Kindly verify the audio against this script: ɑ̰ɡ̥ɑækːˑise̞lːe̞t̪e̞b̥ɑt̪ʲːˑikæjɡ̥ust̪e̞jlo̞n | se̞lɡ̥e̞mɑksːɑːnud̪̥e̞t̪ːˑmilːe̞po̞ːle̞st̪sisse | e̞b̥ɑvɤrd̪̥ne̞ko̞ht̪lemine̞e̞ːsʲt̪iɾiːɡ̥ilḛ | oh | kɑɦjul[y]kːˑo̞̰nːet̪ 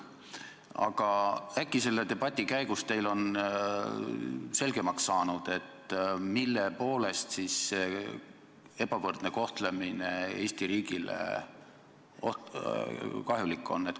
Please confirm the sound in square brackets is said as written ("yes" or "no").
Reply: no